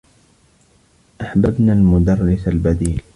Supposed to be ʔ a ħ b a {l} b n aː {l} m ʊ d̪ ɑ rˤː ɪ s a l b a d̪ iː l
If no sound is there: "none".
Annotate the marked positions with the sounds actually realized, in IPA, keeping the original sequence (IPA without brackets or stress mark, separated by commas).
none, l